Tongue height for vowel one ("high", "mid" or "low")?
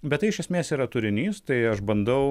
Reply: mid